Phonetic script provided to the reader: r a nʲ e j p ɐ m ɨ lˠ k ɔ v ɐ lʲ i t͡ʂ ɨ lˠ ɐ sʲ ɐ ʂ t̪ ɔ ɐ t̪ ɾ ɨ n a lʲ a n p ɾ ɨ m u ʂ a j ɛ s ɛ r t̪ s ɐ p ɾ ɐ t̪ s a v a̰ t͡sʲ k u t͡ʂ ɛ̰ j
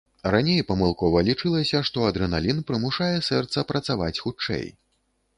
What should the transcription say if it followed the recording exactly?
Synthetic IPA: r a nʲ e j p ɐ m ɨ lˠ k ɔ v ɐ lʲ i t͡ʂ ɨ lˠ ɐ sʲ ɐ ʂ t̪ ɔ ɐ d̪ ɾ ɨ n a lʲ i n p ɾ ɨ m u ʂ a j ɛ s ɛ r t̪ s ɐ p ɾ ɐ t̪ s a v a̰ t͡sʲ x u t͡ʂ ɛ̰ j